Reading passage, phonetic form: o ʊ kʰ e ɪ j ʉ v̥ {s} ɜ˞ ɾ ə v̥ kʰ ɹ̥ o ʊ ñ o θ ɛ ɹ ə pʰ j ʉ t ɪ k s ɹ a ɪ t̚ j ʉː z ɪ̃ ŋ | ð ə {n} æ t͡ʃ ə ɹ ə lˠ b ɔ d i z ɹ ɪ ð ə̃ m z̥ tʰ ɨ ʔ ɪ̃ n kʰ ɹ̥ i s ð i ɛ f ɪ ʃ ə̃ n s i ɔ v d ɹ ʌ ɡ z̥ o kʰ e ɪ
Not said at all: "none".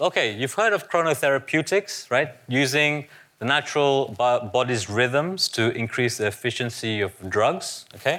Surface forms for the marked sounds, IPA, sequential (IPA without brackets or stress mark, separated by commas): h, n